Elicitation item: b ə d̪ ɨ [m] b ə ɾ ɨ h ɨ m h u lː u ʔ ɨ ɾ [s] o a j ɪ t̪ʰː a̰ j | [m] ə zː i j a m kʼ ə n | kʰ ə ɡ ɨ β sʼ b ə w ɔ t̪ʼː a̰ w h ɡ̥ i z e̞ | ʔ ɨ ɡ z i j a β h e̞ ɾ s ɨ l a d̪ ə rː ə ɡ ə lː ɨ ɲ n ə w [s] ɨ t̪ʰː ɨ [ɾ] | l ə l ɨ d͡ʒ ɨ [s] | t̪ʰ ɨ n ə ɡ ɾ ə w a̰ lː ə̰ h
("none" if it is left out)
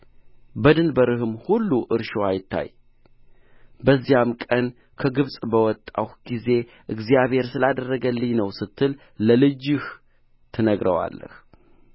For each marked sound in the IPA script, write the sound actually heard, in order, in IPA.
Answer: n, ʃ, b, s, l, h

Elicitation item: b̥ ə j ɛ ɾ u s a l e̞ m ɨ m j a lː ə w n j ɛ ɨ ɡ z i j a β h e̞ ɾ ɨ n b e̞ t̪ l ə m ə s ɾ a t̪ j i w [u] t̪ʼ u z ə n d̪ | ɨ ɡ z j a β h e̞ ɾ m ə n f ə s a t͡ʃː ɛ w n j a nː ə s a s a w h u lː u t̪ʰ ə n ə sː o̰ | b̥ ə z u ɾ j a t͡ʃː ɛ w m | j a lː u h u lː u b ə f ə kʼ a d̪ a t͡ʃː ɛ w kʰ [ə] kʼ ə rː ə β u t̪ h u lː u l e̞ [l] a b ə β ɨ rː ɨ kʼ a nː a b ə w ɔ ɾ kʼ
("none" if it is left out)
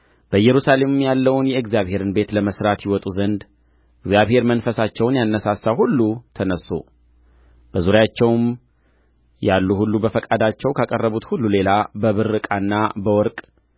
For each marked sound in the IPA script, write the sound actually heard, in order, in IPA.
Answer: ɔ, a, l

